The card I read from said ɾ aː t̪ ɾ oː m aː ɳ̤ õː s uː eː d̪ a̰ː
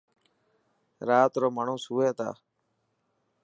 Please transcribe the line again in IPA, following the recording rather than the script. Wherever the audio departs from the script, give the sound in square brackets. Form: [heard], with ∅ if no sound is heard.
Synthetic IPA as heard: ɾ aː t̪ ɾ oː m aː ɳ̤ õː s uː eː [t̪] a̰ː